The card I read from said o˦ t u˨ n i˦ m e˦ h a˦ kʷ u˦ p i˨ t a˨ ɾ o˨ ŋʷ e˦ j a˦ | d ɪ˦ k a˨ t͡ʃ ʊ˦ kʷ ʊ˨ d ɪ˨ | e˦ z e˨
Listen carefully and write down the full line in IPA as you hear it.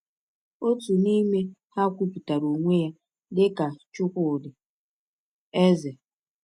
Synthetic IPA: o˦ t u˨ n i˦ m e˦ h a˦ kʷ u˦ p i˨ t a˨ ɾ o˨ ŋʷ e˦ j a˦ | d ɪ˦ k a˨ t͡ʃ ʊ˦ kʷ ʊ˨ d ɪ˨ | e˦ z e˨